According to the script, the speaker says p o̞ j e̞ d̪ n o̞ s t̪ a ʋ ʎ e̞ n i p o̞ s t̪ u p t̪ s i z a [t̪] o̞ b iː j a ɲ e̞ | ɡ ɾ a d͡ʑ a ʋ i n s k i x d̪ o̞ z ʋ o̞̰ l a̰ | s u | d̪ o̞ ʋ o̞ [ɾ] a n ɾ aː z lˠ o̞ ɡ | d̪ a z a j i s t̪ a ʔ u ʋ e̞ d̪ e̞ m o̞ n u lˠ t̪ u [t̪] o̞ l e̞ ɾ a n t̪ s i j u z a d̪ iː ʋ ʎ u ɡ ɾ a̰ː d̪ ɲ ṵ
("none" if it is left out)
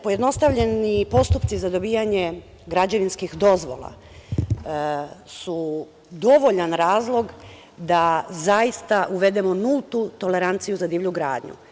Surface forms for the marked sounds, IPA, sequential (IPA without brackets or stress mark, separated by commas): d̪, ʎ, t̪